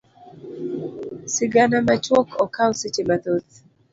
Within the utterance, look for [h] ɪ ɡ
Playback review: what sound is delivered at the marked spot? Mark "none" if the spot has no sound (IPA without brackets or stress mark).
s